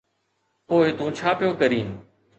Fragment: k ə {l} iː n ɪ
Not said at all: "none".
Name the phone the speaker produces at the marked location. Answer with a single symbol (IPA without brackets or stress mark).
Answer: ɾ